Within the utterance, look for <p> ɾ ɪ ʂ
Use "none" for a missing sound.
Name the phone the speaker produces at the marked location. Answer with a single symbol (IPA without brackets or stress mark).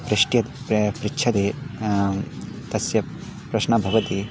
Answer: p